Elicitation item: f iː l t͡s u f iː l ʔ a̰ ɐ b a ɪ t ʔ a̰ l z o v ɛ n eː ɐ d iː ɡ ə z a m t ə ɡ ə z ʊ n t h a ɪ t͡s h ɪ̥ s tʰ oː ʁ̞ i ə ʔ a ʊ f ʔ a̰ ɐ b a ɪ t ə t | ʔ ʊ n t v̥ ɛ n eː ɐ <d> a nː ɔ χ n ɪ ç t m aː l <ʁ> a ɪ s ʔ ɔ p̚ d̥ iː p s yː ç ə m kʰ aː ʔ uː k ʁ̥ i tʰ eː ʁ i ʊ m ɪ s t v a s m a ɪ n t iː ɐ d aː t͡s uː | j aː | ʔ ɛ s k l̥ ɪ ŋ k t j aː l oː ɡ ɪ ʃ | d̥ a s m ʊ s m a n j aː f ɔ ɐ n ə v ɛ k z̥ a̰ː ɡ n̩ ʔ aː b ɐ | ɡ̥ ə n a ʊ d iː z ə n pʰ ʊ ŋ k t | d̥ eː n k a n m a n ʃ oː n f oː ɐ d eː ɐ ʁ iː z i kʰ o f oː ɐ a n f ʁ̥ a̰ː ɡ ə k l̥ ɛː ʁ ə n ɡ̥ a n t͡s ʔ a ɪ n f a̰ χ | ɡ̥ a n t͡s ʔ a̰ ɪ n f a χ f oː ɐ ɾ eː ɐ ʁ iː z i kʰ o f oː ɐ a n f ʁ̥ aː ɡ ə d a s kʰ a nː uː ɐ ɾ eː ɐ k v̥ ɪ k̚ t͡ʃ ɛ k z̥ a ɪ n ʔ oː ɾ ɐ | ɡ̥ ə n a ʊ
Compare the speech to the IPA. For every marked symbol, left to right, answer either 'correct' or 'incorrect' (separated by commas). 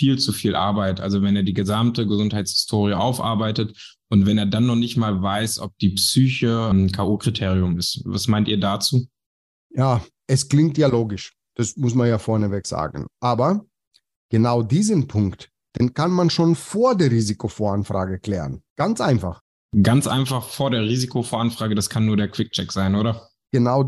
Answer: correct, incorrect